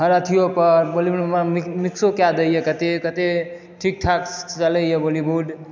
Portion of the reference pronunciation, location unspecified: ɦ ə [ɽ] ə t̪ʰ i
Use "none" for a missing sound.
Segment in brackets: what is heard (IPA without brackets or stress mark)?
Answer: ɾ